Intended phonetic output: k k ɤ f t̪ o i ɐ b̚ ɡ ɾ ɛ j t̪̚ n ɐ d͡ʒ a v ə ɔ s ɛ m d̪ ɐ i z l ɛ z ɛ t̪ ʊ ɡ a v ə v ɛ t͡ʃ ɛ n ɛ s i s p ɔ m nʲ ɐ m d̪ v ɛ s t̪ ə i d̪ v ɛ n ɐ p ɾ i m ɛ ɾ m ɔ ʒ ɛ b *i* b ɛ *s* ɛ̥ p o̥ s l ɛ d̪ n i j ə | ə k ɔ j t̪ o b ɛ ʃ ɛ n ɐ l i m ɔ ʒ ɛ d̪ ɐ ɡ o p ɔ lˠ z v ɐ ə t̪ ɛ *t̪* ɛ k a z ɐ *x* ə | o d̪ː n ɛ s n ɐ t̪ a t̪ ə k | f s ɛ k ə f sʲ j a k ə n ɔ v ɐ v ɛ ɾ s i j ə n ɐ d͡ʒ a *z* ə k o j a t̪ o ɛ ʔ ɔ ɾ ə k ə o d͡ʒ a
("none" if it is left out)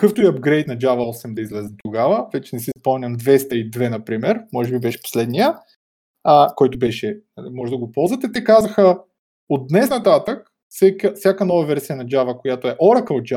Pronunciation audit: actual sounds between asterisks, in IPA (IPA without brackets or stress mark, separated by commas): i, ʃ, t̪, x, v